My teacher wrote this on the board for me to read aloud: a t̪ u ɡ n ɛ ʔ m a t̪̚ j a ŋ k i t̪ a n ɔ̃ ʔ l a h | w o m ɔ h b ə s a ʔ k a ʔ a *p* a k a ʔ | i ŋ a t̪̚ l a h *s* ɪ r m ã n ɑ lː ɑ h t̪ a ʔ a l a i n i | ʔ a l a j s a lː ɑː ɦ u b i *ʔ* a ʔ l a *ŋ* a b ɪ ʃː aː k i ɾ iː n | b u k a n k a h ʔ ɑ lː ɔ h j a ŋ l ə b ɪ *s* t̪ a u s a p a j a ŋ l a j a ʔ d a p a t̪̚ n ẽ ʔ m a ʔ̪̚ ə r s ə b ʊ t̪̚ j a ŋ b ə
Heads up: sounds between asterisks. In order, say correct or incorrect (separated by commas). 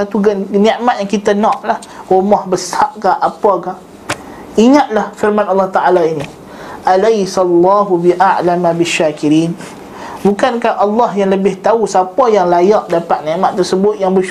correct, incorrect, correct, incorrect, incorrect